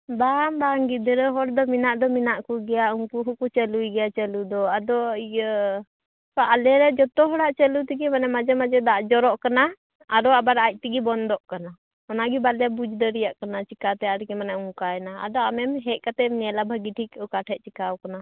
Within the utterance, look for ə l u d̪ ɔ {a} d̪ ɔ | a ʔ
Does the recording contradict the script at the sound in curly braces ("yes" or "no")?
no